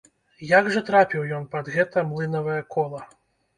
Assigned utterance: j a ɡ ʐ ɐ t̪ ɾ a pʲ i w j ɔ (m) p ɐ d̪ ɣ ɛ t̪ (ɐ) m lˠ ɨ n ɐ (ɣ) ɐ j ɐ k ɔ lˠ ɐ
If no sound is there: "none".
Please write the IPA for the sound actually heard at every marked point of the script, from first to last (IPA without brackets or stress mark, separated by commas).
n, ɐ, v